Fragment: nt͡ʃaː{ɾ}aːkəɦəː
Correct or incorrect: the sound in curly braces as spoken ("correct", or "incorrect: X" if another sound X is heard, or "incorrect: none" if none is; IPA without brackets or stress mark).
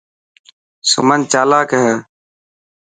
incorrect: l